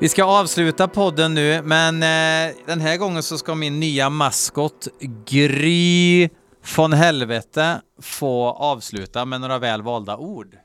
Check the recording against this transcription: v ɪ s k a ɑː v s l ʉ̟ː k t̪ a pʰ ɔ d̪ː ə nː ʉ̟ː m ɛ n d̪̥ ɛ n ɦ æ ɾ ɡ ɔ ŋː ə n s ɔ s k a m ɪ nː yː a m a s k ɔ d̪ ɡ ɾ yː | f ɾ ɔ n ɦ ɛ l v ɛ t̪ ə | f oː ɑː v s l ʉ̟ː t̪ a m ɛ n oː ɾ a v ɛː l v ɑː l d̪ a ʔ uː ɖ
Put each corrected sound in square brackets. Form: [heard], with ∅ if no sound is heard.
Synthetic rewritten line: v ɪ s k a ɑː v s l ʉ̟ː [∅] t̪ a pʰ ɔ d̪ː ə nː ʉ̟ː m ɛ n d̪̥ ɛ n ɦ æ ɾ ɡ ɔ ŋː ə n s ɔ s k a m ɪ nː yː a m a s k ɔ [t̪] ɡ ɾ yː | f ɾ ɔ n ɦ ɛ l v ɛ t̪ ə | f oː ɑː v s l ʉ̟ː t̪ a m ɛ n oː ɾ a v ɛː l v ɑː l d̪ a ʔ uː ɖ